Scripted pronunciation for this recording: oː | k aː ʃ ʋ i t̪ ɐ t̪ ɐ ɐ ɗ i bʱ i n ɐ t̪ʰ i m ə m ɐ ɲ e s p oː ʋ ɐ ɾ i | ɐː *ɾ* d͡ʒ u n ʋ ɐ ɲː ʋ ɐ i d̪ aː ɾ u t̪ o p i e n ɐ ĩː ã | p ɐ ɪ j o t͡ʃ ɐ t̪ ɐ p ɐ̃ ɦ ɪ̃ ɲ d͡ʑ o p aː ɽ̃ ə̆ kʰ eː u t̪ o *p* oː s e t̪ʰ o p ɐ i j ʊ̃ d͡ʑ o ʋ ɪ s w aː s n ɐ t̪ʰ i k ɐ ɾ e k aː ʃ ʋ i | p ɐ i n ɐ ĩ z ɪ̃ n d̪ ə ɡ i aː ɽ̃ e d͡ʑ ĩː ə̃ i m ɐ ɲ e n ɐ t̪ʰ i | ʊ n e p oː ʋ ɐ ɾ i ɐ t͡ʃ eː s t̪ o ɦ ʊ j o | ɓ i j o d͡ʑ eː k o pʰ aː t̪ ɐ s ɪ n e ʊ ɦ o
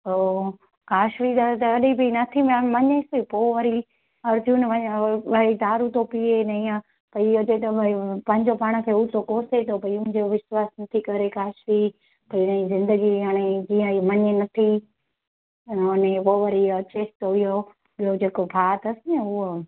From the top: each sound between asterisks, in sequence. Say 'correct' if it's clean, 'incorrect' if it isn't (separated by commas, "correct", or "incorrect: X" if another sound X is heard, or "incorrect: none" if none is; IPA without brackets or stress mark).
correct, incorrect: k